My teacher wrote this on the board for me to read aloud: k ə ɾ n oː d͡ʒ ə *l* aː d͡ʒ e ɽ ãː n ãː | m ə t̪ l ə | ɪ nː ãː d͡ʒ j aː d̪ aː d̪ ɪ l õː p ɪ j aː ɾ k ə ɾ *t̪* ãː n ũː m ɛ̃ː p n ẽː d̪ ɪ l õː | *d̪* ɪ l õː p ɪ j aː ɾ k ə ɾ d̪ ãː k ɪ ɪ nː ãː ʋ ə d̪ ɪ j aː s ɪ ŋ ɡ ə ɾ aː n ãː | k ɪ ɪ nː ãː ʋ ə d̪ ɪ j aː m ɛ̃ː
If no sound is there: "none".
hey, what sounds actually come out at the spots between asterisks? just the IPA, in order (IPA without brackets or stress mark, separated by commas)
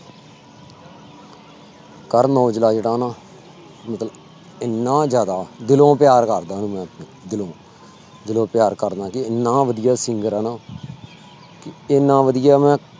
l, d̪, d̪